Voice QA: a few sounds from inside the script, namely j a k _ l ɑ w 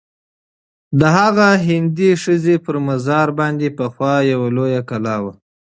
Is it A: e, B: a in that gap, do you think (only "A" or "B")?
B